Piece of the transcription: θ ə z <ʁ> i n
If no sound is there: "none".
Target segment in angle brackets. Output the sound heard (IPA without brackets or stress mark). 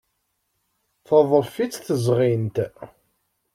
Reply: ʁ